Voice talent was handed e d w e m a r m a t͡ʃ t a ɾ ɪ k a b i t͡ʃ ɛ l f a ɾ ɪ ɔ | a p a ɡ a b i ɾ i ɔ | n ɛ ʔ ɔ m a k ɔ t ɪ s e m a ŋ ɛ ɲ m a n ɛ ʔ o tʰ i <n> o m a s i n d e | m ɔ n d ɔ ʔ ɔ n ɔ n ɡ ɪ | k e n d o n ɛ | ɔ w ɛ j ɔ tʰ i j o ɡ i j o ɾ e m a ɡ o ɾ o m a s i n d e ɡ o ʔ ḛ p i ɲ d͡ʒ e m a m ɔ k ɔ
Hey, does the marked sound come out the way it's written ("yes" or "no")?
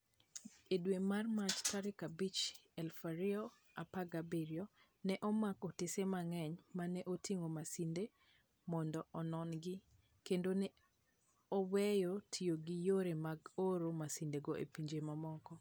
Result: no